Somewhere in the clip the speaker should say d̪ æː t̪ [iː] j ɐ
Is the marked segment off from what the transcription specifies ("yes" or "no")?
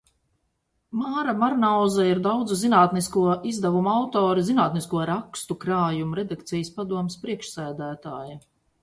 yes